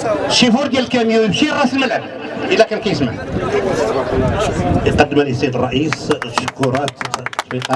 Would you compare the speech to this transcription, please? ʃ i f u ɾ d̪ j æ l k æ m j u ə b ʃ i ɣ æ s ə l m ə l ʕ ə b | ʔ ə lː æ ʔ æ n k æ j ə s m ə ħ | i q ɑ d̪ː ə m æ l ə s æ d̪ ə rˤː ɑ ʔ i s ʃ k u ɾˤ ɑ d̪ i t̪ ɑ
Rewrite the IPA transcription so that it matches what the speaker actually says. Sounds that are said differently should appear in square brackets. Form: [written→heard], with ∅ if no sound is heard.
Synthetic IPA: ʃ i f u ɾ d̪ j æ l k æ m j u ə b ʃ i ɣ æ s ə l m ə l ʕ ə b | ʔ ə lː æ [ʔ→k] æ n k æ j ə s m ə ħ | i q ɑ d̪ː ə m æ l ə s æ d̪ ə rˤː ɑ ʔ i s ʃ k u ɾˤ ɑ [d̪→t̪] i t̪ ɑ